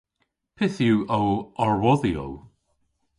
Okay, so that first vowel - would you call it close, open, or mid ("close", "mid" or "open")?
close